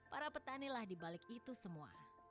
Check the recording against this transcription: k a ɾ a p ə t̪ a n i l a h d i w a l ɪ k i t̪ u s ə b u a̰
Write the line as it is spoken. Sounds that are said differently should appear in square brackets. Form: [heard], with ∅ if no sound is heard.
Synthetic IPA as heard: [p] a ɾ a p ə t̪ a n i l a h d i [b] a l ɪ k i t̪ u s ə [m] u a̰